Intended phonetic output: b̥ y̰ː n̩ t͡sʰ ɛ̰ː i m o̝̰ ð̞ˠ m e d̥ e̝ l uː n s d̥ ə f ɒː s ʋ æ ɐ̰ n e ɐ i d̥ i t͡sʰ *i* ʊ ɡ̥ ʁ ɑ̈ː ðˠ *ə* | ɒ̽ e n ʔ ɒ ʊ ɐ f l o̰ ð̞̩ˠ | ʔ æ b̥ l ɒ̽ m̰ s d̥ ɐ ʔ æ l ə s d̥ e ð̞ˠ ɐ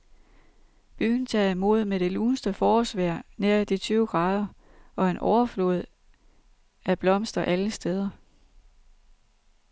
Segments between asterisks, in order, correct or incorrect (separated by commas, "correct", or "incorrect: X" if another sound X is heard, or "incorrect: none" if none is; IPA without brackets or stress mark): incorrect: y, incorrect: ɐ